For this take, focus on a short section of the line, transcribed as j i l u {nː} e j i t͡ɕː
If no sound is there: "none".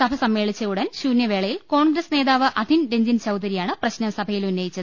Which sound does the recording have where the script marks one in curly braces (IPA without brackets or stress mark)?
nː